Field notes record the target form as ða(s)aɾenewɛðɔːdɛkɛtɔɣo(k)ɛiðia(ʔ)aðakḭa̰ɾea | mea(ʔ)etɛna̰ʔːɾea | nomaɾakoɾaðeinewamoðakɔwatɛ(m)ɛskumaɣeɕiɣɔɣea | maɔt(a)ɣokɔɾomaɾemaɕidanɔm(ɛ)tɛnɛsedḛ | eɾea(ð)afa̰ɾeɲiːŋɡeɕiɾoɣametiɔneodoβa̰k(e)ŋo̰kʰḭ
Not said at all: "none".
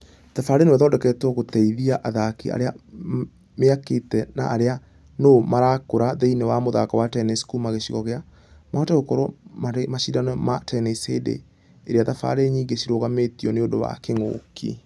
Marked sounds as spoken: f, t, ʔ, k, n, ɛ, a, ð, e

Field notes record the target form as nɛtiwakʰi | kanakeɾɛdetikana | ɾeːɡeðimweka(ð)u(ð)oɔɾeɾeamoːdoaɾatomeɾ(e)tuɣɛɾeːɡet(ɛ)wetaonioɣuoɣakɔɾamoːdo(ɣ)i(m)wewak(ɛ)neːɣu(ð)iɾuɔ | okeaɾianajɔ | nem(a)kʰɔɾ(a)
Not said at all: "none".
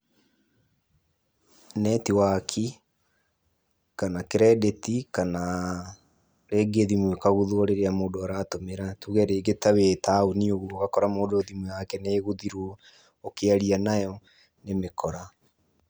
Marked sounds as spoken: ɣ, ð, a, a, ð, m, ɛ, ð, e, a

